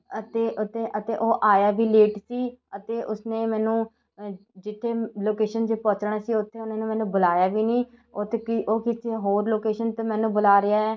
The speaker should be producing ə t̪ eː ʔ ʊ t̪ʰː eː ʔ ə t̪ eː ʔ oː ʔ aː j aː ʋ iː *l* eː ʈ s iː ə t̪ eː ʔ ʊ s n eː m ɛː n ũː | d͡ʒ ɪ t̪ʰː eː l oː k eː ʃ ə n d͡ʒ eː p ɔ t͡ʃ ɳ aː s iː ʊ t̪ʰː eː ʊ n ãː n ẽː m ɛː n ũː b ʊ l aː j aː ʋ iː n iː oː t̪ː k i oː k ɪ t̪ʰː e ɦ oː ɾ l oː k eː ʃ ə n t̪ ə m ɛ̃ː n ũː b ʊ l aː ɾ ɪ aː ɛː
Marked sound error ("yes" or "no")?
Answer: no